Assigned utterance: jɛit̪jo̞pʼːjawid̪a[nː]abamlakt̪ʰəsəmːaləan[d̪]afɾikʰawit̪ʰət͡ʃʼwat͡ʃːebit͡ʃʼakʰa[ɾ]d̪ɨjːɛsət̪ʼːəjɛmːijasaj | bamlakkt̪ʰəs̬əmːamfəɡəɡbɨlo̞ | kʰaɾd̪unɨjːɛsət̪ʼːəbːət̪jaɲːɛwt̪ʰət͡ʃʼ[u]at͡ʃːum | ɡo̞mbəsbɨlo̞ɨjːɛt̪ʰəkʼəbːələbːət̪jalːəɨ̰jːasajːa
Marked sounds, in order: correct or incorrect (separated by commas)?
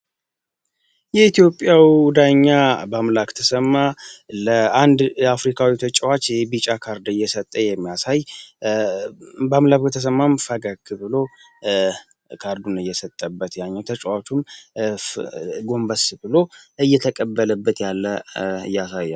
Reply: incorrect, correct, correct, incorrect